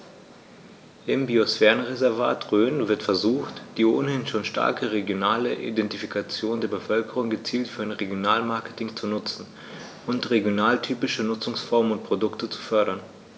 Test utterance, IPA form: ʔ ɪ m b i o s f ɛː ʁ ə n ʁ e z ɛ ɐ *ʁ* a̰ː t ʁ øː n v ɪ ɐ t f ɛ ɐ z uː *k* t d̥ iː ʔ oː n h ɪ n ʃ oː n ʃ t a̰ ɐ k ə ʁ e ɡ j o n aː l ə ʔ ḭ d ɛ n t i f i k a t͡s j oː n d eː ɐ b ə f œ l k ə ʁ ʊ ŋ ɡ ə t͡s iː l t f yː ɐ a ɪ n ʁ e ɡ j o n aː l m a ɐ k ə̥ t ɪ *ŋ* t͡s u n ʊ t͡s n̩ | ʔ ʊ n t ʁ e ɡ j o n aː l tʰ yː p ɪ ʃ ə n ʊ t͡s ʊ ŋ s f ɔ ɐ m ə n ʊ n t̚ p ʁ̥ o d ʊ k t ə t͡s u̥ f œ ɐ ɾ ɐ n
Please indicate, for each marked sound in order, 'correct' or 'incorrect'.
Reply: incorrect: v, incorrect: x, correct

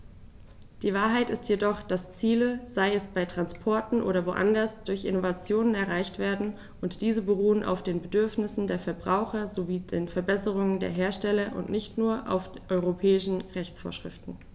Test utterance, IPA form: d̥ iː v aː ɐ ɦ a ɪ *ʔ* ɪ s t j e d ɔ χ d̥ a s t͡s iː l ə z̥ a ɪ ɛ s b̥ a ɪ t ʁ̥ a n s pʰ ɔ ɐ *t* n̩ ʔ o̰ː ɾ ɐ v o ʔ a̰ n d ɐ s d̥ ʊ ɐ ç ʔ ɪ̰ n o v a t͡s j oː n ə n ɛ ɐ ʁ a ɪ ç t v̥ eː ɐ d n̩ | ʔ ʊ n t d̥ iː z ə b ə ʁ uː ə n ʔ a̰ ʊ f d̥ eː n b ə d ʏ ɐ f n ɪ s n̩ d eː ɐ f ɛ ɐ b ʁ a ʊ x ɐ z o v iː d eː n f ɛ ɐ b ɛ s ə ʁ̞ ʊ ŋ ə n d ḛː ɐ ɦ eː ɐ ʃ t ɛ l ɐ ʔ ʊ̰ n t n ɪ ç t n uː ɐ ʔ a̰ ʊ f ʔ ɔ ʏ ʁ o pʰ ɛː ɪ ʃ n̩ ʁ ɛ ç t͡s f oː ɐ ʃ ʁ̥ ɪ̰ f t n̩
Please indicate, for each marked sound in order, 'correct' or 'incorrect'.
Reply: incorrect: t, correct

